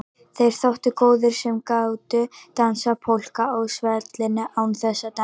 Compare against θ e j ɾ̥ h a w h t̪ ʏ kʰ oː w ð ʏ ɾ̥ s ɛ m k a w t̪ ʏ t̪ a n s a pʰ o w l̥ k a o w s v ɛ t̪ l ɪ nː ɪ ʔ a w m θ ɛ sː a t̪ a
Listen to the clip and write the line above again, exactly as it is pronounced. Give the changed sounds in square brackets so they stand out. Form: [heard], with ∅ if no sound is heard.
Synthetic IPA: θ e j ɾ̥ [θ] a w h t̪ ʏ [k] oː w ð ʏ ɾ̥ s ɛ m k a w t̪ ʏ t̪ a n s a pʰ o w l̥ k a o w s v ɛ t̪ l ɪ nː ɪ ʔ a w [n] θ ɛ sː a t̪ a